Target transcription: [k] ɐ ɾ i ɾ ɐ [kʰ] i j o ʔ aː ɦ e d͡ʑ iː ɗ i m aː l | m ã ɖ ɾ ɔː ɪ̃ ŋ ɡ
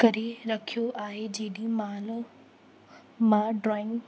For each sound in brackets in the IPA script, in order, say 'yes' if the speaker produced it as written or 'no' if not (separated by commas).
yes, yes